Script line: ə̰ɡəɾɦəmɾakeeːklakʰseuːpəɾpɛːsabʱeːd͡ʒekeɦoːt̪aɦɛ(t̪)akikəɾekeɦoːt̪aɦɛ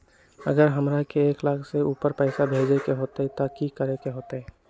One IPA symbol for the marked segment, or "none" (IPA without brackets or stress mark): t̪